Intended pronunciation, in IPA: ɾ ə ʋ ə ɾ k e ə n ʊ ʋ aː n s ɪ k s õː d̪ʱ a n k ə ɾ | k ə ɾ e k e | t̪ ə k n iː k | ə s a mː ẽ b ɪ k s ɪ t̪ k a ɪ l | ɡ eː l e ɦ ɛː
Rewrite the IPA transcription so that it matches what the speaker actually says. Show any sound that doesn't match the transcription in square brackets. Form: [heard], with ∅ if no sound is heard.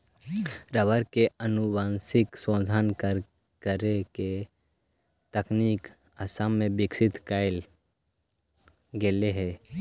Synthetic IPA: ɾ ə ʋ ə ɾ k e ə n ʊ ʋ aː n s ɪ k s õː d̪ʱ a n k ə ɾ | k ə ɾ e k e | t̪ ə k n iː k | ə s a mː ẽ b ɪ k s ɪ t̪ k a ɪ l | ɡ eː l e ɦ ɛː